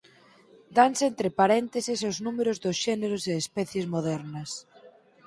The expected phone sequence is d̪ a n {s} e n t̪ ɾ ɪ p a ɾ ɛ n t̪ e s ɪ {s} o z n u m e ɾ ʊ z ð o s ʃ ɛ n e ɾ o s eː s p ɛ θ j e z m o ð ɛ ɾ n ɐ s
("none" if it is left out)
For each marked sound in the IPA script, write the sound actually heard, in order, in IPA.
s, s

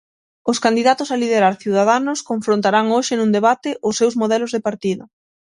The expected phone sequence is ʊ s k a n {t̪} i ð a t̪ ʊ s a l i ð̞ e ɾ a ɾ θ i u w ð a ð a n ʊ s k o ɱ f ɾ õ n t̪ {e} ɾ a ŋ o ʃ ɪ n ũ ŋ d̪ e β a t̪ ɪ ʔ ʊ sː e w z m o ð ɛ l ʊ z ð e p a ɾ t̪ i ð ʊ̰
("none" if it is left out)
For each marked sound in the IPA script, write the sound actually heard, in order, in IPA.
d̪, a

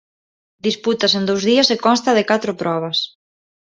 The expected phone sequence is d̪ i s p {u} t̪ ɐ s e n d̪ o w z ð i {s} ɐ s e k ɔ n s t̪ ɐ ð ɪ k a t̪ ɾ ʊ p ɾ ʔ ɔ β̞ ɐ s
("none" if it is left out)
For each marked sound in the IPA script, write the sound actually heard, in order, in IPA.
u, none

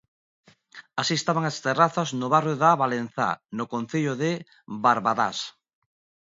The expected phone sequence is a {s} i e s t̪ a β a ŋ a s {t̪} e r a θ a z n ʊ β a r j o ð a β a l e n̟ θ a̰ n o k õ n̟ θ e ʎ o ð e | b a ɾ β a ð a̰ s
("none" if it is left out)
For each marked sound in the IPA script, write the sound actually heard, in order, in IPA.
s, t̪

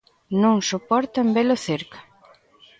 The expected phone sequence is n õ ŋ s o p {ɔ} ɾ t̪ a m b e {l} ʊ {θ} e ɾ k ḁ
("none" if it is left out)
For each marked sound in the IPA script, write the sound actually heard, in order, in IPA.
ɔ, l, θ

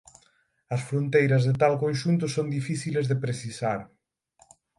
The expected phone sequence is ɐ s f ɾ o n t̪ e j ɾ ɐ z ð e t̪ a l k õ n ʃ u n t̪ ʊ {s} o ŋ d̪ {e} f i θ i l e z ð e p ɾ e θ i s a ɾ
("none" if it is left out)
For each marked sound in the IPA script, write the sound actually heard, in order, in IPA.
s, i

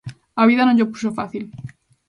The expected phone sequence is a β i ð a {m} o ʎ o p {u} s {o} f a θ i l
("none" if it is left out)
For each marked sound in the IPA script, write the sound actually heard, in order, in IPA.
n, u, o

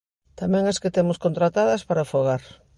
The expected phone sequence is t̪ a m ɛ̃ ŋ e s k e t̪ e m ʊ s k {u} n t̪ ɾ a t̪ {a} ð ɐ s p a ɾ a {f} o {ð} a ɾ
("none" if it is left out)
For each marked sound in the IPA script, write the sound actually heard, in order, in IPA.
o, a, f, ɣ

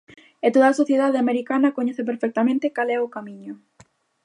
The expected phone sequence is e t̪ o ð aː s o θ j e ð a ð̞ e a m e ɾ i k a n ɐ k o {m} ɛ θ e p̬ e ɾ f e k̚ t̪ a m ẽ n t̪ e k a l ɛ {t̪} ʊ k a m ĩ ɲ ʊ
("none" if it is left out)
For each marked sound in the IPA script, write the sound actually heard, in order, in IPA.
ɲ, none

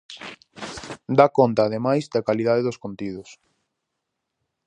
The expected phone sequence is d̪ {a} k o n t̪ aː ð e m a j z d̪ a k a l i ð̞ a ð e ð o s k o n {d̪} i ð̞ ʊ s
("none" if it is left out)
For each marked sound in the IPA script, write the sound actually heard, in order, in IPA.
a, t̪

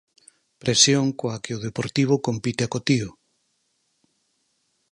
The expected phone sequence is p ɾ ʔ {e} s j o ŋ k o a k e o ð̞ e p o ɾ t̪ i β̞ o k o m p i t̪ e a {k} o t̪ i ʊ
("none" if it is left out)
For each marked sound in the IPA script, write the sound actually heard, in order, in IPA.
e, k

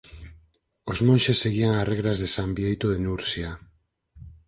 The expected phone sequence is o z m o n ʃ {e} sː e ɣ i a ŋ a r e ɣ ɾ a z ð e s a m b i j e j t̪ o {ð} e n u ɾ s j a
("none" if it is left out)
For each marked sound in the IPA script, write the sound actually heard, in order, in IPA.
e, ð

